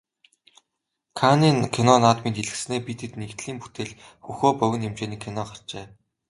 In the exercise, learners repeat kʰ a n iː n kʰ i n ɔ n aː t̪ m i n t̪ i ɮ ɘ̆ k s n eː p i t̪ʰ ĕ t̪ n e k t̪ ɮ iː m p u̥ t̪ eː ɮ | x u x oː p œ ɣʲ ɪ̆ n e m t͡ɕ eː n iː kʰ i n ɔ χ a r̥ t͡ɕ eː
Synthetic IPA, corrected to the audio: kʰ a n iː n kʰ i n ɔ n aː t̪ m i n t̪ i ɮ ɘ̆ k s n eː p i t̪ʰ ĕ t̪ n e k t̪ ɮ iː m p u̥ t̪ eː ɮ | x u x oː p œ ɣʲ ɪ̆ n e m t͡ɕ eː n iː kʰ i n ɔ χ a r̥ t͡ɕ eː